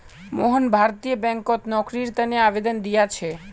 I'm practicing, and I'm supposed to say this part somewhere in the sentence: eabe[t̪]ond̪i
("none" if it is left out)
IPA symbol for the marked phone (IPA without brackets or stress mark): d̪